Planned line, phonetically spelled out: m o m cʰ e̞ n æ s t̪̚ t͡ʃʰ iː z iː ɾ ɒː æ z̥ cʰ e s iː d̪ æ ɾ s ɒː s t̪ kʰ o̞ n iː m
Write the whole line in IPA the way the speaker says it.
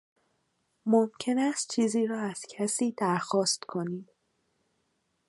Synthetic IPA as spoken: m o m cʰ e̞ n æ s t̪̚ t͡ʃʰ iː z iː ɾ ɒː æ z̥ cʰ æ s iː d̪ æ ɾ x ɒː s t̪ kʰ o̞ n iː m